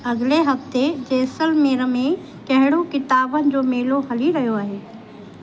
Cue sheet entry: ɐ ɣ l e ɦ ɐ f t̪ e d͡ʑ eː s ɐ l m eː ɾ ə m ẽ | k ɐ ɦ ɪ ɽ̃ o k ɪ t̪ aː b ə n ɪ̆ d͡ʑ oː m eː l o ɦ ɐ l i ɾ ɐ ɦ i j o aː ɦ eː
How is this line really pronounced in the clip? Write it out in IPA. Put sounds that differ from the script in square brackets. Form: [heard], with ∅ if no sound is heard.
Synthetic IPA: ɐ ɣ l e ɦ ɐ f t̪ e d͡ʑ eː s [ə] l m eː ɾ ə m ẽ | k ɐ ɦ ɪ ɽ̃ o k ɪ t̪ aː b ə n ɪ̆ d͡ʑ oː m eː l o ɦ ɐ l i ɾ ɐ ɦ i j o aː ɦ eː